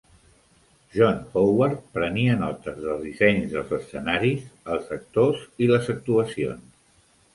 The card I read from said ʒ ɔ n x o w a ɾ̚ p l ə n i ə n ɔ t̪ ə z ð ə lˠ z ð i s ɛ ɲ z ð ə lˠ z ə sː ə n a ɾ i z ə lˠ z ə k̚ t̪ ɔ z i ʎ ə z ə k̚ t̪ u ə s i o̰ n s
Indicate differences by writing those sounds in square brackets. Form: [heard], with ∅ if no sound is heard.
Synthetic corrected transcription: ʒ ɔ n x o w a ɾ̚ p [ɾ] ə n i ə n ɔ t̪ ə z ð ə lˠ z ð i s ɛ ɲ z ð ə lˠ z ə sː ə n a ɾ i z ə lˠ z ə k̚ t̪ [o] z i [l] ə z ə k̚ t̪ u ə s i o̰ n s